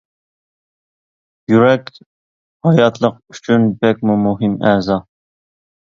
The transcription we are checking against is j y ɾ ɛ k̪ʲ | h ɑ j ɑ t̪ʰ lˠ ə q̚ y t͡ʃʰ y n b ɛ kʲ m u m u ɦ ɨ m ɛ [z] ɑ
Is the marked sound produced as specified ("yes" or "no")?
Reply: yes